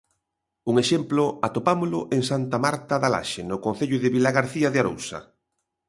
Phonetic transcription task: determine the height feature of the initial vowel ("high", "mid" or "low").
high